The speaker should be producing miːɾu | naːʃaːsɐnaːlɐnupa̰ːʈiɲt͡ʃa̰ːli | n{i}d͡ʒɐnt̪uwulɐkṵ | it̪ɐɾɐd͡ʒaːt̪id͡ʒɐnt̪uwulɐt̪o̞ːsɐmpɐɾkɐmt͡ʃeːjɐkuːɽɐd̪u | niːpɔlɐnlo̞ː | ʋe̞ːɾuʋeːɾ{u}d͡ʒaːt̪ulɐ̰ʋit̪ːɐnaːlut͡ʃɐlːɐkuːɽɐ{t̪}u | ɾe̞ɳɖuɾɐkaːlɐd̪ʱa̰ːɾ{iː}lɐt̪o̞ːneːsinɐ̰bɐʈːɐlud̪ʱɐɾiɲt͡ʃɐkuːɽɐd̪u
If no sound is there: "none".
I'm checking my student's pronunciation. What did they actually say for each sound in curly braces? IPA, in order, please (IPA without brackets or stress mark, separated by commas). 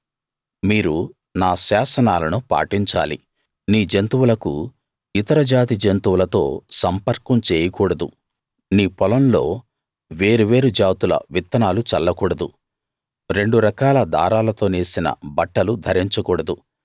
iː, u, d̪, aː